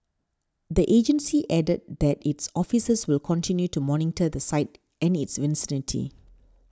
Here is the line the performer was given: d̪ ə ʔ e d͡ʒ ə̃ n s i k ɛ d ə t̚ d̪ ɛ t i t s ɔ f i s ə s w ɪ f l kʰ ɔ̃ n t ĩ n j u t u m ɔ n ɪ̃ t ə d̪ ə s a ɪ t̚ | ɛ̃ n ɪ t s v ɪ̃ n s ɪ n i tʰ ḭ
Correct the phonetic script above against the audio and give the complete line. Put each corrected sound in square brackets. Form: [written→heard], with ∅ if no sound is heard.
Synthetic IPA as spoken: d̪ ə ʔ e d͡ʒ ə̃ n s i [k→ʔ] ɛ d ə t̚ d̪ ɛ t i t s ɔ f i s ə s w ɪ [f→∅] l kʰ ɔ̃ n t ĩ n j u t u m ɔ n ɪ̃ t ə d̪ ə s a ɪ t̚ | ɛ̃ n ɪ t s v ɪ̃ n s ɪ n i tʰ ḭ